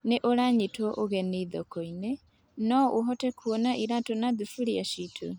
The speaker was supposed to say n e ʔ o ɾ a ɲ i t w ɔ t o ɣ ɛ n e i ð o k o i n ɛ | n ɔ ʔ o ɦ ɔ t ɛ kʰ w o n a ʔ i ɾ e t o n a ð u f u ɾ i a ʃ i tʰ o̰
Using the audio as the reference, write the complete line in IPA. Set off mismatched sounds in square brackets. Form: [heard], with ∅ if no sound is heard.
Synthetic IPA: n e ʔ o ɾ a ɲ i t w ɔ [ʔ] o ɣ ɛ n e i ð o k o i n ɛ | n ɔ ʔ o ɦ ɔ t ɛ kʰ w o n a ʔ i ɾ [a] t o n a ð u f u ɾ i a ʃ i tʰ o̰